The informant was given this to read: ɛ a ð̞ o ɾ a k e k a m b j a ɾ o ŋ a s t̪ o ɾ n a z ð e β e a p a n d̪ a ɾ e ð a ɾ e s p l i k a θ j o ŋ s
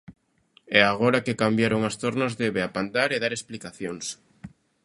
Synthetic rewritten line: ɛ a ɣ̞ o ɾ a k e k a m b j a ɾ o ŋ a s t̪ o ɾ n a z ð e β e a p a n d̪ a ɾ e ð a ɾ e s p l i k a θ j o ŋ s